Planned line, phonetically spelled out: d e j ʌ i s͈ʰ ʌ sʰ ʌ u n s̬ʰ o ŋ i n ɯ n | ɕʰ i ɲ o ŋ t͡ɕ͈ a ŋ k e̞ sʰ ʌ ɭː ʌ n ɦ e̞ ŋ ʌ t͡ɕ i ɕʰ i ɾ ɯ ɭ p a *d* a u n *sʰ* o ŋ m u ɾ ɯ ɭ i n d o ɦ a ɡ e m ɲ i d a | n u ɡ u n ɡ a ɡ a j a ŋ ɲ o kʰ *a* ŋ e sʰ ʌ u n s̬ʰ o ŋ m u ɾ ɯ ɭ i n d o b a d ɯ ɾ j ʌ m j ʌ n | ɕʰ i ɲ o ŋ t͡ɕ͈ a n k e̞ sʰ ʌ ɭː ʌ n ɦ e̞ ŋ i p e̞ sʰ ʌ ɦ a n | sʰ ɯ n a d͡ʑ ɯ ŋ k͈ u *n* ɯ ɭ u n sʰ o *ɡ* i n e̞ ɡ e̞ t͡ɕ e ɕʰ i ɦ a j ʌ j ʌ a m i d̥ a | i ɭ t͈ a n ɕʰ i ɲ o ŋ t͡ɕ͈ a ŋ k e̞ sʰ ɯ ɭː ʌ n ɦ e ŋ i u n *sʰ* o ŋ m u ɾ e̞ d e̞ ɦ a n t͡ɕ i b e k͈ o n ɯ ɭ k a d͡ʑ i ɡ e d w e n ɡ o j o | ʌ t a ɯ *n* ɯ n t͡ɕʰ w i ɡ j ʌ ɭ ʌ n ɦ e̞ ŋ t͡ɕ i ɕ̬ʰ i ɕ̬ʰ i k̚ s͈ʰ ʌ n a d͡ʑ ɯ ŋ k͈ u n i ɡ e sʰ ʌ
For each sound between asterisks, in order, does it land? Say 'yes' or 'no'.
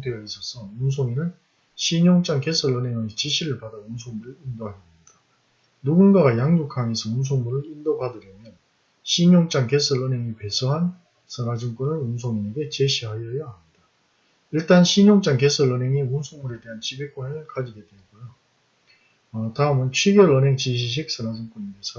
yes, yes, yes, yes, no, yes, no

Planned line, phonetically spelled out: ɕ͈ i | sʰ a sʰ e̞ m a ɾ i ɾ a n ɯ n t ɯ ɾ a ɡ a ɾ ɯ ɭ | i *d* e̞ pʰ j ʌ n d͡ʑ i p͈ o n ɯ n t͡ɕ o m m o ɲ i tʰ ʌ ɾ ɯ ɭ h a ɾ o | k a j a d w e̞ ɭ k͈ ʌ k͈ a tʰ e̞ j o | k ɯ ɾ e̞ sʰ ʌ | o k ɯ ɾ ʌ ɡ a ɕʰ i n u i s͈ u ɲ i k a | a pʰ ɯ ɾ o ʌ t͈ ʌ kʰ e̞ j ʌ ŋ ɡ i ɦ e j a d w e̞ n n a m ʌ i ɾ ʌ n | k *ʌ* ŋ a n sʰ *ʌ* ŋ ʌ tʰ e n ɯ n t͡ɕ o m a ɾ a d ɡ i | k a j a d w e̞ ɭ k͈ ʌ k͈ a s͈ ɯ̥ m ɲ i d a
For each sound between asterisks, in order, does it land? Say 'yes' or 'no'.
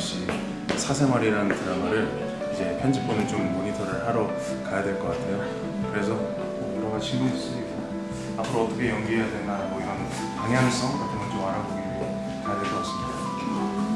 no, no, yes

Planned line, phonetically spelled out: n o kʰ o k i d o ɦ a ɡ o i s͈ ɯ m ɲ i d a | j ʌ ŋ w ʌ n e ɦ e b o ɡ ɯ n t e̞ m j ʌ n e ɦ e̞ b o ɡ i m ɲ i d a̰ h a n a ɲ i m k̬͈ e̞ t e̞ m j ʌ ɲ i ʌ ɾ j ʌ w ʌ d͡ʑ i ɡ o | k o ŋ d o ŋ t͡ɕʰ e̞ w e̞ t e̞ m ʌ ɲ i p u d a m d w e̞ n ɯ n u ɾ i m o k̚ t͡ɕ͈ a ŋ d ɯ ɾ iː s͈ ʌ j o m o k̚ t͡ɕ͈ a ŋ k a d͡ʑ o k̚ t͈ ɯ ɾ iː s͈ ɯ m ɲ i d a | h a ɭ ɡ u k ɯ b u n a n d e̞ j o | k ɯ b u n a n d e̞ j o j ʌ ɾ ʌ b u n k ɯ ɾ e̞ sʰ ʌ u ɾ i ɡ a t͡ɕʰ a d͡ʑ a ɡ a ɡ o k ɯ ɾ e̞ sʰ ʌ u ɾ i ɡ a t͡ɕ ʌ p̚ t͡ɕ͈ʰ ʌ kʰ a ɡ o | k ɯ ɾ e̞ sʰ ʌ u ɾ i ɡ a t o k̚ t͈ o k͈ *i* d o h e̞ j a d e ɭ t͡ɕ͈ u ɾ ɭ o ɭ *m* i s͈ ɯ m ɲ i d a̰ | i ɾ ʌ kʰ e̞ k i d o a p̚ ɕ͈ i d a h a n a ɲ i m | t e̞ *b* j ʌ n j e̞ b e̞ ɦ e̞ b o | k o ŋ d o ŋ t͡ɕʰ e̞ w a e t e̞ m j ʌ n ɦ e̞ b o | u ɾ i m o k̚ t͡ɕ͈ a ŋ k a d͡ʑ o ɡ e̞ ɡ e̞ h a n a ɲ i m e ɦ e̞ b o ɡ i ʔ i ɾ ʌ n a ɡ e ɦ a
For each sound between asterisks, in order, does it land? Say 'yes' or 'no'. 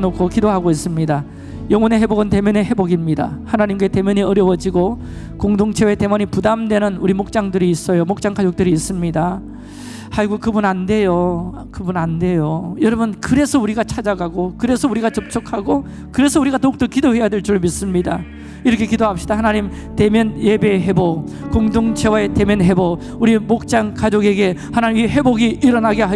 yes, yes, no

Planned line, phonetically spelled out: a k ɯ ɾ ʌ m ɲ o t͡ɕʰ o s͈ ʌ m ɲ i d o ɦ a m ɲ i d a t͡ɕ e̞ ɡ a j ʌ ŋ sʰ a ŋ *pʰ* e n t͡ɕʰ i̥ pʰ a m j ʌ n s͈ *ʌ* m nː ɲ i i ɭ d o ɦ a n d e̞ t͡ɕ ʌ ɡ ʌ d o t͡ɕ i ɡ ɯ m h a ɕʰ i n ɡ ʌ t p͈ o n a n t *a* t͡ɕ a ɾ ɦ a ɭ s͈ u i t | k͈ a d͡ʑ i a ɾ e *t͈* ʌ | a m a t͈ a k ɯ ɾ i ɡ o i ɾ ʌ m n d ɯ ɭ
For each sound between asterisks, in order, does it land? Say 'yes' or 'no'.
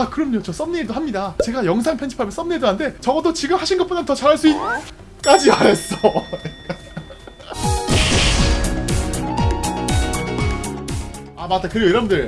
yes, yes, no, no

